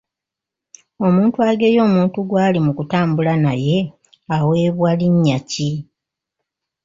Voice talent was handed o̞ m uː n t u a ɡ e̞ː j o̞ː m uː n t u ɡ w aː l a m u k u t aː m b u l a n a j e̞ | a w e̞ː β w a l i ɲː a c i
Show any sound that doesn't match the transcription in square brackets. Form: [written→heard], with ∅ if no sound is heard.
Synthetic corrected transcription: o̞ m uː n t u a ɡ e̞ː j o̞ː m uː n t u ɡ w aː l [a→i] m u k u t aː m b u l a n a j e̞ | a w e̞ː β w a l i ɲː a c i